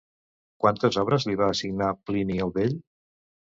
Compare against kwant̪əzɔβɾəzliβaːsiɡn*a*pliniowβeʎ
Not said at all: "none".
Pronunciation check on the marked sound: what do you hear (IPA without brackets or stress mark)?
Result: a